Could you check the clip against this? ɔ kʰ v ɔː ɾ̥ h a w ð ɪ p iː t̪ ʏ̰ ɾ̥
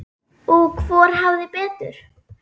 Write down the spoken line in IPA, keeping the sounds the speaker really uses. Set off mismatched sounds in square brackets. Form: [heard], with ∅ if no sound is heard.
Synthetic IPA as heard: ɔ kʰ v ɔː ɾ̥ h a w ð ɪ p [ɛː] t̪ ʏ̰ ɾ̥